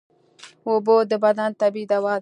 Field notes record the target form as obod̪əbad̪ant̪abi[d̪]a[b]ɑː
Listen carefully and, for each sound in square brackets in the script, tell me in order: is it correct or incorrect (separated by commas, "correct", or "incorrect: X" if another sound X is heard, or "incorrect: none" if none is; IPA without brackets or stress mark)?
correct, incorrect: w